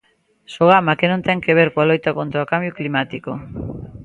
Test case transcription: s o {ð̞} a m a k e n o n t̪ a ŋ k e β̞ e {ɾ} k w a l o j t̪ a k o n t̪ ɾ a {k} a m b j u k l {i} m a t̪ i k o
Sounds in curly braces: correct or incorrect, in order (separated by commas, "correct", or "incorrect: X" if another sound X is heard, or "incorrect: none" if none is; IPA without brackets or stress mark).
incorrect: ɣ̞, correct, correct, correct